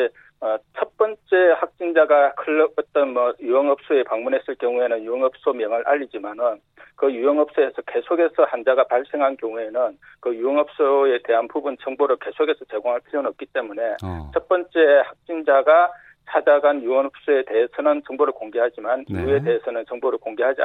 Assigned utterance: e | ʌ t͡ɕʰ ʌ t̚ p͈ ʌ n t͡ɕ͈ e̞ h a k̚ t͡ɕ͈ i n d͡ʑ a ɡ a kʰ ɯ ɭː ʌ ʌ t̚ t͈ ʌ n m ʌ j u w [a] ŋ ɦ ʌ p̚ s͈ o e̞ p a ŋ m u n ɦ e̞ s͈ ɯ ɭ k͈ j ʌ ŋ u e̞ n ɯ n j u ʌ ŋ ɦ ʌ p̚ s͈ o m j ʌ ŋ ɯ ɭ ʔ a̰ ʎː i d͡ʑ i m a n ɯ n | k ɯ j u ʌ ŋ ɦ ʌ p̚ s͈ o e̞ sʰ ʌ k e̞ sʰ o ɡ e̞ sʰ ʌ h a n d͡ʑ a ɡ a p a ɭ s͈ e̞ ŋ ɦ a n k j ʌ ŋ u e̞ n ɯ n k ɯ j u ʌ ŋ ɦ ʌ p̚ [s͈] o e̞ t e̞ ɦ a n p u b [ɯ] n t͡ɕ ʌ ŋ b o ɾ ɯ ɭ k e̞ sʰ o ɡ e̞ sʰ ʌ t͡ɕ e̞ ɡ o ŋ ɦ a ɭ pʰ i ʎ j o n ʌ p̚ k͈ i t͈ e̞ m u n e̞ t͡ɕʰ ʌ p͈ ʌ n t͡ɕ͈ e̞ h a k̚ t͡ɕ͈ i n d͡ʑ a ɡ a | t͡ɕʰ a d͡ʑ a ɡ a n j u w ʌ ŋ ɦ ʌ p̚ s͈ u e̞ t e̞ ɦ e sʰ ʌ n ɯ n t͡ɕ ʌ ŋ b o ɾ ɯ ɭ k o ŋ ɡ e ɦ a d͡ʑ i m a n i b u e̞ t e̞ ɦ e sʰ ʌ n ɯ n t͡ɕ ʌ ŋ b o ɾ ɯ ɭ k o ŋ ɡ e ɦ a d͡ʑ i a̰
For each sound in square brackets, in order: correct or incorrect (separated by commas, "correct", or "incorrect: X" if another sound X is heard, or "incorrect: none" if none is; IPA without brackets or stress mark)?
incorrect: ʌ, correct, incorrect: u